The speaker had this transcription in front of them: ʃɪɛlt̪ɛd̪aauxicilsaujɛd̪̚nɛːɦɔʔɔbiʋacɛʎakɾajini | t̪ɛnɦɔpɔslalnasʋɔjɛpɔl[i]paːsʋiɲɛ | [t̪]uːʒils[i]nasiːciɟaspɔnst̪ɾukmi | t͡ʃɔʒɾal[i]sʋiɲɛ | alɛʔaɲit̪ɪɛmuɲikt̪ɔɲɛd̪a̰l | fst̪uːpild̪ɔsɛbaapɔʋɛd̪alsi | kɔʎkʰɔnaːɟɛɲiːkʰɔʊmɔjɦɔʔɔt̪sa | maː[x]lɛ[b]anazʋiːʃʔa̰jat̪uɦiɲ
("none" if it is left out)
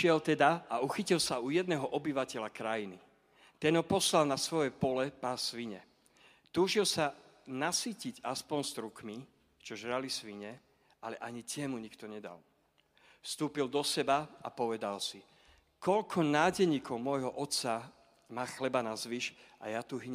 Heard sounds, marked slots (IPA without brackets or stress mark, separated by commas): ɛ, t̪, a, i, x, b